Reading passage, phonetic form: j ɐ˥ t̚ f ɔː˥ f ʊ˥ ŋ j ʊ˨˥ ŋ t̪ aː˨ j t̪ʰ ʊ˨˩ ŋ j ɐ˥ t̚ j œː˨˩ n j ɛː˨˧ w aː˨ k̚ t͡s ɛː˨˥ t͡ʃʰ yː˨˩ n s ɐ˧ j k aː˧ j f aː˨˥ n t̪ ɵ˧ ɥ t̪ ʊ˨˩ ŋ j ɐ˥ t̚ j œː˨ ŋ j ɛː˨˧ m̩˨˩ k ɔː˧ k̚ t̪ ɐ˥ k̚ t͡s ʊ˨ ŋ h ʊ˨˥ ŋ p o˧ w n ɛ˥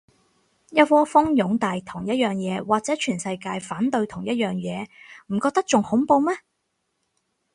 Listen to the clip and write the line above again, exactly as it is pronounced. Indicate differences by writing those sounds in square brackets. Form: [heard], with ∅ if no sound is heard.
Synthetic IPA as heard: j ɐ˥ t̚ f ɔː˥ f ʊ˥ ŋ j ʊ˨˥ ŋ t̪ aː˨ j t̪ʰ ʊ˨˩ ŋ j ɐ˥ t̚ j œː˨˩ [ŋ] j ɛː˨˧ w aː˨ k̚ t͡s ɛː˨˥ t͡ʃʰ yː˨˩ n s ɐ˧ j k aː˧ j f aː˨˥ n t̪ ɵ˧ ɥ [t̪ʰ] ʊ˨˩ ŋ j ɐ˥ t̚ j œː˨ ŋ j ɛː˨˧ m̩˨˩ k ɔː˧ k̚ t̪ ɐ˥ k̚ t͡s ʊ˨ ŋ h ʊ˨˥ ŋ p o˧ w [m] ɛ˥

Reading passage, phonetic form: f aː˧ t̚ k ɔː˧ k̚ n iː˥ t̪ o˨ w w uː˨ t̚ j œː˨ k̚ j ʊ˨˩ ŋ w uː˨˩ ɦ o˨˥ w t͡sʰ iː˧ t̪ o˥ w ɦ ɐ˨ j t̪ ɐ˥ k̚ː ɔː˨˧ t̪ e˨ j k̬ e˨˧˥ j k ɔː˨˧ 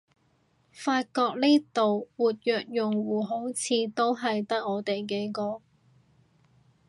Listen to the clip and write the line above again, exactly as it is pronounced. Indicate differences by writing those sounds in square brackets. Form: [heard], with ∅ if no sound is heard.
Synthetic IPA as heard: f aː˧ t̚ k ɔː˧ k̚ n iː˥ t̪ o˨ w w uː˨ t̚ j œː˨ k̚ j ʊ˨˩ ŋ w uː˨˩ ɦ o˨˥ w t͡sʰ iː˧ t̪ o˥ w ɦ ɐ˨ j t̪ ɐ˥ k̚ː ɔː˨˧ t̪ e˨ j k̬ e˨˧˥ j k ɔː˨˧

